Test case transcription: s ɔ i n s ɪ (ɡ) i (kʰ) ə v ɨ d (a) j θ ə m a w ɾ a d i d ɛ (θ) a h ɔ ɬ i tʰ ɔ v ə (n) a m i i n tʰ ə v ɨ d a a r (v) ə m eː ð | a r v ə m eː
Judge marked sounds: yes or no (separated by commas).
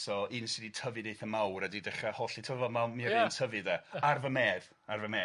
no, no, no, no, no, yes